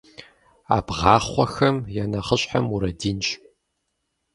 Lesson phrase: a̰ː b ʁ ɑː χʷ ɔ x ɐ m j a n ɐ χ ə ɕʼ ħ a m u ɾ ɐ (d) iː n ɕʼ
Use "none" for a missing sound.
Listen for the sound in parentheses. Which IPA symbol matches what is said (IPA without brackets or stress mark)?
d